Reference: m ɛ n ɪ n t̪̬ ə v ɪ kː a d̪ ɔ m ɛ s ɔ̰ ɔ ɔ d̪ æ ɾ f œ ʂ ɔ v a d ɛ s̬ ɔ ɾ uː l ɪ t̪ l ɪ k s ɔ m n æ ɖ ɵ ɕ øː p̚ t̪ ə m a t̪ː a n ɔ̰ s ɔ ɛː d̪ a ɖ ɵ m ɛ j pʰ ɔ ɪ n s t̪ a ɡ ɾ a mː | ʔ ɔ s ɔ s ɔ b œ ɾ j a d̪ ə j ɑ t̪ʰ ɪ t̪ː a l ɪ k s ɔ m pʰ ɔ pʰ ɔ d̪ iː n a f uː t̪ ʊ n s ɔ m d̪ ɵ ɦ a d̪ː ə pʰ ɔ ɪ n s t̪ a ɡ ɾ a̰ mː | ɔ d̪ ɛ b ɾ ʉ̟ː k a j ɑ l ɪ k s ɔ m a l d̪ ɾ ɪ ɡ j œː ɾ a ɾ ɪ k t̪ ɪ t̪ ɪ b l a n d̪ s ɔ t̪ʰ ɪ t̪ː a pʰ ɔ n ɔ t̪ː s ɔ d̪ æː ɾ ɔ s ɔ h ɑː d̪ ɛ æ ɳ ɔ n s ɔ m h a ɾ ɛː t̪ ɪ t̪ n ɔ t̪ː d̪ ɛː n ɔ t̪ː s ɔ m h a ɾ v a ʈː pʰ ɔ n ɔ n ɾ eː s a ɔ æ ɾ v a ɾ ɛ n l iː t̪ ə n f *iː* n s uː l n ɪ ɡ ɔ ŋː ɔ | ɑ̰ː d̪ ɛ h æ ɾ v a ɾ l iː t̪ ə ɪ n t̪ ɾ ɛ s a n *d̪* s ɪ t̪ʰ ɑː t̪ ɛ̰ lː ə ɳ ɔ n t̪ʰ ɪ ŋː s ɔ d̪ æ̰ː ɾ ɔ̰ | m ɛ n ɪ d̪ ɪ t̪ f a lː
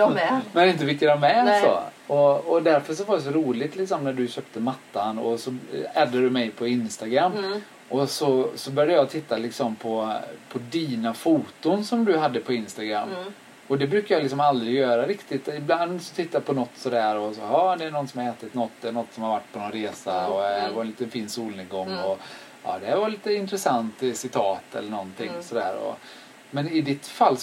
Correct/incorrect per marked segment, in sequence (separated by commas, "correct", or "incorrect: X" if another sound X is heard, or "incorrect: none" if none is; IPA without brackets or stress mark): correct, incorrect: t̪